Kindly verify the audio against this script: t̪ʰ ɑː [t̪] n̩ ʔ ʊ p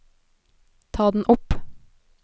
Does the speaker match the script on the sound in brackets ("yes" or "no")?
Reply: no